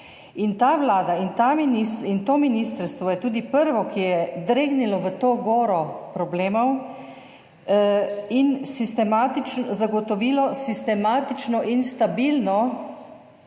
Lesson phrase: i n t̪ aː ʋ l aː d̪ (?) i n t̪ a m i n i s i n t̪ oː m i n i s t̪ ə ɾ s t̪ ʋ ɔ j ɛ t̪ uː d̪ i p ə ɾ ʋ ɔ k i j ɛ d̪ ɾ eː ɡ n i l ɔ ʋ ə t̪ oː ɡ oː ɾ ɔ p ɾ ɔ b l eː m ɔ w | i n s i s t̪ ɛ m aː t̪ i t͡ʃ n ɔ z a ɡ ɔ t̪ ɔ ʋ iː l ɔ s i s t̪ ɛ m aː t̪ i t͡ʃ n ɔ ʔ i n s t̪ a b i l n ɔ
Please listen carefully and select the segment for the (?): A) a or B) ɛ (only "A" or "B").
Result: A